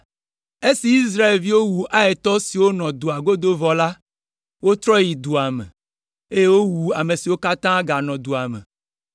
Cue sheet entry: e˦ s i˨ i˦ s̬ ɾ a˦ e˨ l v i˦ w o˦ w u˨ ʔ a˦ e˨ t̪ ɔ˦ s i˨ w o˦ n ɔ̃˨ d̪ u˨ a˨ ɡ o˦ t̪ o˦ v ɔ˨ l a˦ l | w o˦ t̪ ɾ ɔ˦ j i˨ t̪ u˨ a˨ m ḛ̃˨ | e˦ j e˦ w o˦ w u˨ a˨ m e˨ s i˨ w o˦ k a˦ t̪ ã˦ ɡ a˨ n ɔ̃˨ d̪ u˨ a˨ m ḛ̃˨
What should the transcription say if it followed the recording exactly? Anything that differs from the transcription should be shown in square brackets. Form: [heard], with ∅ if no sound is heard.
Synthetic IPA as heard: e˦ s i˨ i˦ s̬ ɾ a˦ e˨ l v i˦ w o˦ w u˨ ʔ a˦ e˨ t̪ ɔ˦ s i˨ w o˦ n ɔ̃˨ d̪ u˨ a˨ ɡ o˦ [d̪] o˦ v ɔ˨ l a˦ [∅] | w o˦ t̪ ɾ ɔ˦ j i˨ [d̪] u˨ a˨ m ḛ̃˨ | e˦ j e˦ w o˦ w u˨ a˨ m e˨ s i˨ w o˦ k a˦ t̪ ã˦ ɡ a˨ n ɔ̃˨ d̪ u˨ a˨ m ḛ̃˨